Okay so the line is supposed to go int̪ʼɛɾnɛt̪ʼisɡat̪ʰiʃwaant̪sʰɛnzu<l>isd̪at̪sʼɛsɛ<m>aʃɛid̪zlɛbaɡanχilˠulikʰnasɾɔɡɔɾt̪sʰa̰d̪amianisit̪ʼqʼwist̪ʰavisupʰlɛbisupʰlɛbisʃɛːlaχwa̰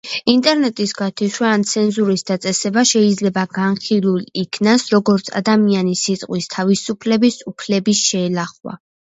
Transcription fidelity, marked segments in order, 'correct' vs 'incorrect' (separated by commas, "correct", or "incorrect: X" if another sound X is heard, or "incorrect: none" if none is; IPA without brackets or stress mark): incorrect: ɾ, incorrect: b